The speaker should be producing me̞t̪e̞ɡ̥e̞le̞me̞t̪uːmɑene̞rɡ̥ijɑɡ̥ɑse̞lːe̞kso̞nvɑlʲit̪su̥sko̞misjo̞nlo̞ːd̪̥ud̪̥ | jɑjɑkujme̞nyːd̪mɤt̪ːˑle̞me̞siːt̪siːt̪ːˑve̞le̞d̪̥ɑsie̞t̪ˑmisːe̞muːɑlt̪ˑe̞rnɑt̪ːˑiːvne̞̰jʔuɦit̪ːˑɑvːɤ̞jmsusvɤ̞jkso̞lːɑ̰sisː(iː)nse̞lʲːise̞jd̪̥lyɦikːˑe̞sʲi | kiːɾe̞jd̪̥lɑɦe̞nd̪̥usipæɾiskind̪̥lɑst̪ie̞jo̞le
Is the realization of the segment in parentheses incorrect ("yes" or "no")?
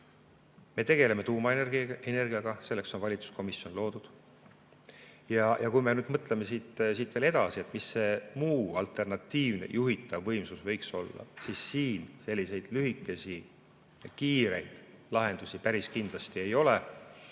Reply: no